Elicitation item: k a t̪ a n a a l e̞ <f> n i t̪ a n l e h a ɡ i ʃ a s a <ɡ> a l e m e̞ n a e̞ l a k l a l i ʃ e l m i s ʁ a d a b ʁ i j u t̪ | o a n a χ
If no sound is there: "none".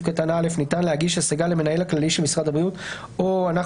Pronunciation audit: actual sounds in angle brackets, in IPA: f, ɡ

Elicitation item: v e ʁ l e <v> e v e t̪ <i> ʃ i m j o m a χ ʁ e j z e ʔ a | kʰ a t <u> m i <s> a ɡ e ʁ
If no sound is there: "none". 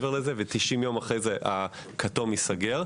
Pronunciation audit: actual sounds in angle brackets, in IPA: z, i, o, s

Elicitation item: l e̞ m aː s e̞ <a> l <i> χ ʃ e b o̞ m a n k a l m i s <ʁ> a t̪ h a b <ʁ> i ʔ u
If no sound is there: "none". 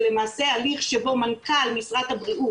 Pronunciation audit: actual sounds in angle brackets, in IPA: a, i, ʁ, ʁ

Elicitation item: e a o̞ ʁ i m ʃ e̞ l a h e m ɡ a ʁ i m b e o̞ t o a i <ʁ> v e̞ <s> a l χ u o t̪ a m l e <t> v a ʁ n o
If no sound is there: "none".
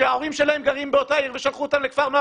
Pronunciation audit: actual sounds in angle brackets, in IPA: ʁ, ʃ, k

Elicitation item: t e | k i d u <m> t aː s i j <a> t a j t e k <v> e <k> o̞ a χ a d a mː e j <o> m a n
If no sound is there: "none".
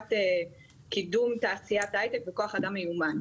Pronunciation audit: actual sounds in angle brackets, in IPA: m, a, v, k, u

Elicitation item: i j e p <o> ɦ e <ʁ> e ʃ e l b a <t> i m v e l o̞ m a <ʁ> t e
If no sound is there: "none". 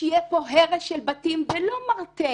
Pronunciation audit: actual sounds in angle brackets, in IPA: o, ʁ, t, ʁ

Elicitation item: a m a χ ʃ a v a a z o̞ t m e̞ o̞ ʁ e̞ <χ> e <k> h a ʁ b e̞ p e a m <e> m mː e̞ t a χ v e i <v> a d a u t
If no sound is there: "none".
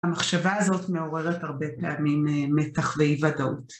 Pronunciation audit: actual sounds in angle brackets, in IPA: ʁ, t, i, v

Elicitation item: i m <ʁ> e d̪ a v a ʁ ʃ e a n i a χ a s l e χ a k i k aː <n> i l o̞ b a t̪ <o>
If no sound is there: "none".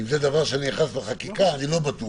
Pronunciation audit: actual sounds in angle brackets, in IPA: z, n, u

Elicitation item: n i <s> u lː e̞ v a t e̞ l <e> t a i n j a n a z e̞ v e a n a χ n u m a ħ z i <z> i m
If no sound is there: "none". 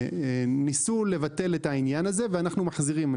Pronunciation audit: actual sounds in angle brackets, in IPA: s, e, ʁ

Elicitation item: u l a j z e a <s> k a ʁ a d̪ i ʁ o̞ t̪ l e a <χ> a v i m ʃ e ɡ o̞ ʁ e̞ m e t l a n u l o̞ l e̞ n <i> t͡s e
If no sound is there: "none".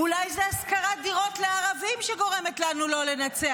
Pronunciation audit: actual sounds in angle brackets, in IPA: s, ʁ, a

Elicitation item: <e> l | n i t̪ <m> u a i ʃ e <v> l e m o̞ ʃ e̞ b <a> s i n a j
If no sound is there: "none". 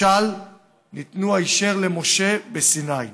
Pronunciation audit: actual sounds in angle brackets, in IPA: a, n, ʁ, e

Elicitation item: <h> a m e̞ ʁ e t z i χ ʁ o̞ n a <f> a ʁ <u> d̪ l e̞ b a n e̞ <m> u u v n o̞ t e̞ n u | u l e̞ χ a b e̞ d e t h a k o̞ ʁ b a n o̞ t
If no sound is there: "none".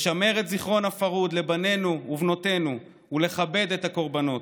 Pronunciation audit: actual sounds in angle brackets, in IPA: ʃ, f, u, n

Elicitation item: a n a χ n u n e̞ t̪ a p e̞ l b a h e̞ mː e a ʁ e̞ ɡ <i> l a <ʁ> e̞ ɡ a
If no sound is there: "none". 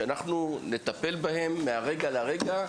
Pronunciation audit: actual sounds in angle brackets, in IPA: a, ʁ

